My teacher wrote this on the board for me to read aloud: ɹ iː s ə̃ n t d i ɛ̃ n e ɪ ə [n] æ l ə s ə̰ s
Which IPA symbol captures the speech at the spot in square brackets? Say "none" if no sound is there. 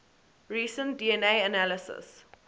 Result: n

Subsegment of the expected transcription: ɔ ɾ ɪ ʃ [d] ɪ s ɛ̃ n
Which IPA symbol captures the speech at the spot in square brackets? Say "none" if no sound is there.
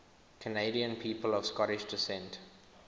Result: d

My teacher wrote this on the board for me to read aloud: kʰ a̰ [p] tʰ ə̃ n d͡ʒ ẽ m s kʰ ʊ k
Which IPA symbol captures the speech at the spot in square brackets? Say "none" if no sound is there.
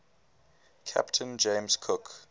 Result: p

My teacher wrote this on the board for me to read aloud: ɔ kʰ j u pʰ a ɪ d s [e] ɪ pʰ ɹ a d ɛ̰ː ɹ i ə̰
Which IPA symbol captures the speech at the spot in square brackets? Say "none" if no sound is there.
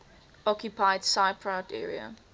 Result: a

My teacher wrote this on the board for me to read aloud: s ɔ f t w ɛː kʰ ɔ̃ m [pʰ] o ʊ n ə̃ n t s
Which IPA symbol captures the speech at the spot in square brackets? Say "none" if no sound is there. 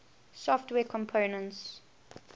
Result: pʰ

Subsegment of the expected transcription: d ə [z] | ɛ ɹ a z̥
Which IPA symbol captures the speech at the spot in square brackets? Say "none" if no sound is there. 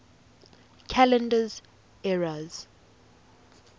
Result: z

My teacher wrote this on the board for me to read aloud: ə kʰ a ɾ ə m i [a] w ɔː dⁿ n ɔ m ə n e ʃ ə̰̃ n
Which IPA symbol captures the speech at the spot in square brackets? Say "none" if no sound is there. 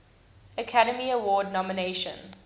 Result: ə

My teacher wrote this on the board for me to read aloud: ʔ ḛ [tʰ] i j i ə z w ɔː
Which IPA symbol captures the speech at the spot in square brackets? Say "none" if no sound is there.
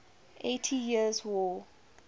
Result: tʰ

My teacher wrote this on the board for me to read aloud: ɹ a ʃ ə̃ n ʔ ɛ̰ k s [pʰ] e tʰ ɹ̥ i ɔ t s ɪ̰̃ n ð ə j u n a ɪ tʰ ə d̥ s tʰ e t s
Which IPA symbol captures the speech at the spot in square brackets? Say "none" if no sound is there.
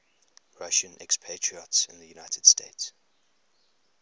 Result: pʰ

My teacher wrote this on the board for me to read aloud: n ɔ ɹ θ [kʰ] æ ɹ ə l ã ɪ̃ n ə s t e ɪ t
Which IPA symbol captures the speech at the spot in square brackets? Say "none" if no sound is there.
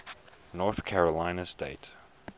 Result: kʰ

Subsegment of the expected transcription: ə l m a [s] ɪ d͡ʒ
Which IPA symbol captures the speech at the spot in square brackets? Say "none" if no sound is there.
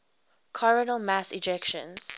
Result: s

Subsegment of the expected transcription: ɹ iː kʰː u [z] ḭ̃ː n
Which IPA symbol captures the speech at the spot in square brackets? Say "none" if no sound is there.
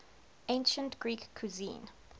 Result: z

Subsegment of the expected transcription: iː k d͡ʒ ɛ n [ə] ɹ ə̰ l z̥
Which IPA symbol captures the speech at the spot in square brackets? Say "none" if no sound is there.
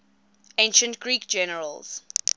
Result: ə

